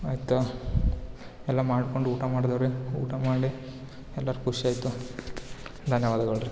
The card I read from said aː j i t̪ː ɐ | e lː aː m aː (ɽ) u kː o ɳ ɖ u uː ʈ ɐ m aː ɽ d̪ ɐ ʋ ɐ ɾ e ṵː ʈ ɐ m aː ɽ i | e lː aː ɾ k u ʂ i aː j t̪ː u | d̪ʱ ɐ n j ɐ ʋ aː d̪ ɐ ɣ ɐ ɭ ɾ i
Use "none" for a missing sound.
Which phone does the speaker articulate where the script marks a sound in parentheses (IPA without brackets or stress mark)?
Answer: ɽ